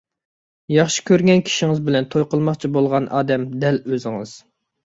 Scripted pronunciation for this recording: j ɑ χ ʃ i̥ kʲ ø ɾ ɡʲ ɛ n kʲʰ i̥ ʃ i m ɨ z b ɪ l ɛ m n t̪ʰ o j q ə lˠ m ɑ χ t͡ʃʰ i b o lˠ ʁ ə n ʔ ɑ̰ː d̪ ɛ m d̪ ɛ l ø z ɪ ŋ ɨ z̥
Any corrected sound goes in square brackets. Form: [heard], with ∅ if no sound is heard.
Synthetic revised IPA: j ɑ χ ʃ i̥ kʲ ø ɾ ɡʲ ɛ n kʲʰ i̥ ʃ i [ŋ] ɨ z b ɪ l ɛ [∅] n t̪ʰ o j q ə lˠ m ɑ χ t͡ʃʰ i b o lˠ ʁ [ɑ] n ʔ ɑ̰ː d̪ ɛ m d̪ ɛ l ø z ɪ ŋ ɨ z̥